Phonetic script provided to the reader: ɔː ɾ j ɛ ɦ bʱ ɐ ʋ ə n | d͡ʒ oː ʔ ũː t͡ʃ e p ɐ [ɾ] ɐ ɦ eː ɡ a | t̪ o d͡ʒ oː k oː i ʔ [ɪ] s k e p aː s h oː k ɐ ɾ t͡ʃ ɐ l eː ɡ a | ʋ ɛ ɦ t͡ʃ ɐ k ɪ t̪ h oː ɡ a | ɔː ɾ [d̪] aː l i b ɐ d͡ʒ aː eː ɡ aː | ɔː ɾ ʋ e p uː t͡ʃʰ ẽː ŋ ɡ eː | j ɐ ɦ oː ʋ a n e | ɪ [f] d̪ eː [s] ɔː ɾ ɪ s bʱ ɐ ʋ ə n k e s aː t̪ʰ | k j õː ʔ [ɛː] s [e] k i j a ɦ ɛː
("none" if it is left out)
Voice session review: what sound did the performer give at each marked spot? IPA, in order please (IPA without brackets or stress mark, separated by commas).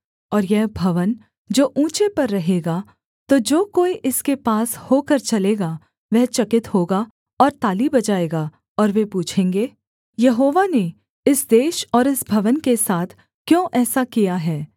ɾː, ɪ, t̪, s, ʃ, ɛː, a